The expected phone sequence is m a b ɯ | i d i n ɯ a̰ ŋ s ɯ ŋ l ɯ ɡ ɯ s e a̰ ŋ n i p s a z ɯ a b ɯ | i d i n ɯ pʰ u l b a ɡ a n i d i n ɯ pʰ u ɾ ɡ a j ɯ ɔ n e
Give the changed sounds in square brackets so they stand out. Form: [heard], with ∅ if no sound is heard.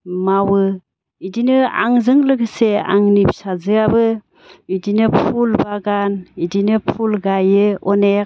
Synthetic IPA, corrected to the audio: m a [w] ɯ | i d i n ɯ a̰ ŋ [z] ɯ ŋ l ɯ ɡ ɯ s e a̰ ŋ n i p s a z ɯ a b ɯ | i d i n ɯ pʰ u l b a ɡ a n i d i n ɯ pʰ u [l] ɡ a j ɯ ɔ n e